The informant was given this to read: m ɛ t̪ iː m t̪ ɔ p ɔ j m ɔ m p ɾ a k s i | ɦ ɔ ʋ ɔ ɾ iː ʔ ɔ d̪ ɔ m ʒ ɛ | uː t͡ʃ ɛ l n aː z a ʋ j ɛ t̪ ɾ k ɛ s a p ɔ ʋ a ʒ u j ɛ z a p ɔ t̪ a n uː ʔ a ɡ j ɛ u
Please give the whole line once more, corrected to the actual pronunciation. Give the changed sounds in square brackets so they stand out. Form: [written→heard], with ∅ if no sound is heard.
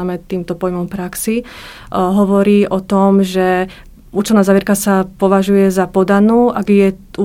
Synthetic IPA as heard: m ɛ t̪ iː m t̪ ɔ p ɔ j m ɔ m p ɾ a k s i | ɦ ɔ ʋ ɔ ɾ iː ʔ ɔ [d̪→t̪] ɔ m ʒ ɛ | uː t͡ʃ ɛ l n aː z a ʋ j ɛ [t̪→∅] ɾ k [ɛ→a] s a p ɔ ʋ a ʒ u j ɛ z a p ɔ [t̪→d̪] a n uː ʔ a ɡ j ɛ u